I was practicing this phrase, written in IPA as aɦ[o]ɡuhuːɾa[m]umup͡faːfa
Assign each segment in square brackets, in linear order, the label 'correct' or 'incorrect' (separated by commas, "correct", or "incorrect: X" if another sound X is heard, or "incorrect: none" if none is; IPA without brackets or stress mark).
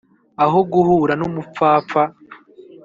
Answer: correct, incorrect: n